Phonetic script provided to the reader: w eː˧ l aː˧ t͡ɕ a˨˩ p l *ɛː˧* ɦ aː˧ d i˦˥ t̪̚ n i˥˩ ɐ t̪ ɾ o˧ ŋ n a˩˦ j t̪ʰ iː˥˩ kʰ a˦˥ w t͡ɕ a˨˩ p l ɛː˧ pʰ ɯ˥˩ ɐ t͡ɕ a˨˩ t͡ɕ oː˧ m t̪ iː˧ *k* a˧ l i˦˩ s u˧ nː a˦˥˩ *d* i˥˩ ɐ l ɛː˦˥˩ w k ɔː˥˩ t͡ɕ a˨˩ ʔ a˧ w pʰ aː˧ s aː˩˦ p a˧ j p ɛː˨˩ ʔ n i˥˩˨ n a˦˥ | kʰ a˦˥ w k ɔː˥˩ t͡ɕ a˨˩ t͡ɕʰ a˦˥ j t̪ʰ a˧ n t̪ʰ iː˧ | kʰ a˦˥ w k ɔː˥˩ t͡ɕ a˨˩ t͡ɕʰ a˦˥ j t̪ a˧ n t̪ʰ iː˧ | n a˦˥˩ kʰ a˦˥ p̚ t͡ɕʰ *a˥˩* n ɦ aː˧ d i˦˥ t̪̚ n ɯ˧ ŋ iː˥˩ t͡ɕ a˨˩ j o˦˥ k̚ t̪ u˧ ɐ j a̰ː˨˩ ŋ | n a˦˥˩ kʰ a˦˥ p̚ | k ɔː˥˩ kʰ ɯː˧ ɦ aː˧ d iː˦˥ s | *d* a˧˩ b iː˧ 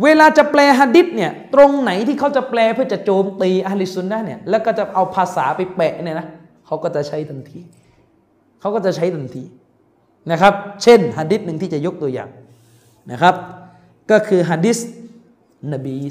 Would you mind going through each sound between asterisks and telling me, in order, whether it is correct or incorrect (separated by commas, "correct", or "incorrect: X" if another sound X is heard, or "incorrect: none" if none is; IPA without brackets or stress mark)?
correct, incorrect: ʔ, incorrect: n, incorrect: e˥˩, incorrect: n